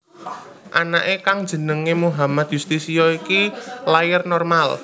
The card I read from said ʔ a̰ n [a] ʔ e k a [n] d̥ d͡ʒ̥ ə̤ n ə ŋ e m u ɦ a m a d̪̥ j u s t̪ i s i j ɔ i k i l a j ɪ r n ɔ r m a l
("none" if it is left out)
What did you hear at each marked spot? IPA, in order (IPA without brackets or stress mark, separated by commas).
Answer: a, ŋ